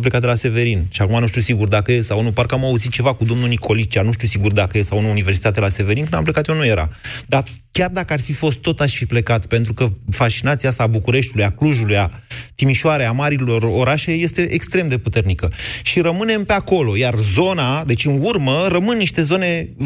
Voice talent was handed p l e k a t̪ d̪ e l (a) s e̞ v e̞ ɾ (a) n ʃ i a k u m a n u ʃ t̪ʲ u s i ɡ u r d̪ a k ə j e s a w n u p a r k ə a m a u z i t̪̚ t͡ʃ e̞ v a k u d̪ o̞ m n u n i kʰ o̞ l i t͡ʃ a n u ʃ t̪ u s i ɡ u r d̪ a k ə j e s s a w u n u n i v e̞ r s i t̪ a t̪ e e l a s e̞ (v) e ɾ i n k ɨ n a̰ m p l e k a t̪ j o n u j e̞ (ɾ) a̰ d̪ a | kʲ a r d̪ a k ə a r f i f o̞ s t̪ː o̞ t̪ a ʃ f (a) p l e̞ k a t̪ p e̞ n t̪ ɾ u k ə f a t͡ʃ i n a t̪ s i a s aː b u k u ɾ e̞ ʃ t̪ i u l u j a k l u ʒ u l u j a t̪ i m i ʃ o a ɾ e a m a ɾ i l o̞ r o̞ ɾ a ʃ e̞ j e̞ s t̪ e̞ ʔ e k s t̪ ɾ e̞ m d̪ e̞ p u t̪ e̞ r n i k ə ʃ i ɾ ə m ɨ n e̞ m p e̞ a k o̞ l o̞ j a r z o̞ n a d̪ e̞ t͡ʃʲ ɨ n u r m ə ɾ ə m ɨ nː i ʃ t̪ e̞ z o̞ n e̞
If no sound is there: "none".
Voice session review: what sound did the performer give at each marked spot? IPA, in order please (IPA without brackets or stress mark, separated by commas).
a, i, v, ɾ, i